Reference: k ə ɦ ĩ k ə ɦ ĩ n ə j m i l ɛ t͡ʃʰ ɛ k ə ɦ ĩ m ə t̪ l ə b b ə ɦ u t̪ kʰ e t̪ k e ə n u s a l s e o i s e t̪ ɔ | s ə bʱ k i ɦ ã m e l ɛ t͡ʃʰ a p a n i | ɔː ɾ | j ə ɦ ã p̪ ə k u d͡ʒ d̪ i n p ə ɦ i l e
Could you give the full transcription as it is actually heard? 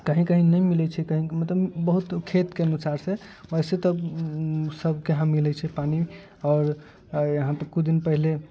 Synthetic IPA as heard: k ə ɦ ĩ k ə ɦ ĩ n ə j m i l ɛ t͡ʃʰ ɛ k ə ɦ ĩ m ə t̪ l ə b b ə ɦ u t̪ kʰ e t̪ k e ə n u s a ɾ s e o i s e t̪ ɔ | s ə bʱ k e ɦ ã m i l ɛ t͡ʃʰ ɛ p a n i | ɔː ɾ | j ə ɦ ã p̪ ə k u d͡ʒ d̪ i n p ə ɦ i l e